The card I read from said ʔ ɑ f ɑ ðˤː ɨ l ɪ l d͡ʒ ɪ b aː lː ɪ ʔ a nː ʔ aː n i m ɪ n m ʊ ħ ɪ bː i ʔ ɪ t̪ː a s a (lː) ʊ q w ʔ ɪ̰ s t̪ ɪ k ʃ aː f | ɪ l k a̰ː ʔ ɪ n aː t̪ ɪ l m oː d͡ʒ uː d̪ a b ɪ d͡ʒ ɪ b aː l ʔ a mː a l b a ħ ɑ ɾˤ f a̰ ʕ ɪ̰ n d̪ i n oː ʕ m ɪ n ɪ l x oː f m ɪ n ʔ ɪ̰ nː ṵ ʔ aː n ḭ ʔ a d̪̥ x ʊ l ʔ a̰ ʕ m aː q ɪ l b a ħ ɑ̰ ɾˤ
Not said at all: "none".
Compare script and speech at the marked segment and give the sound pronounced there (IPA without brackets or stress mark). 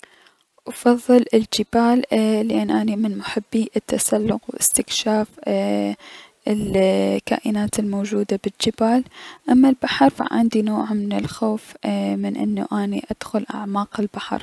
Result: lː